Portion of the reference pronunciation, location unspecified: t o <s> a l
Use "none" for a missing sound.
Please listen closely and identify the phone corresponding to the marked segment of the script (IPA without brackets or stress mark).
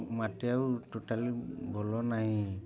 t